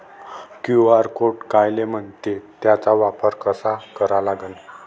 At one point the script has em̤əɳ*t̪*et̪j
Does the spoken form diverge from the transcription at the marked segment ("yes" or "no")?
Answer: no